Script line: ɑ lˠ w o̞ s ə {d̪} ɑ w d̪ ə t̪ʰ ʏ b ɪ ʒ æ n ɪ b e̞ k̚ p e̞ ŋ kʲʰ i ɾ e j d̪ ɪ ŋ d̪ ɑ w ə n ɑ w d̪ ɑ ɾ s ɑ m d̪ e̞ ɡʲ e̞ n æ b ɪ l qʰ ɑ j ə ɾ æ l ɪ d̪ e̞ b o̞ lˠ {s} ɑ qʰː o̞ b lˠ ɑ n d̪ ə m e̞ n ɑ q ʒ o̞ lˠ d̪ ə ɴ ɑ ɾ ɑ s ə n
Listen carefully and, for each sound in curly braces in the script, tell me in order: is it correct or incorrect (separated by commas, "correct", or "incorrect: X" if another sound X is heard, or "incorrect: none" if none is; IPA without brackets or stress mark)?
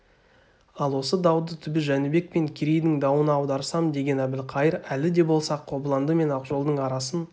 correct, correct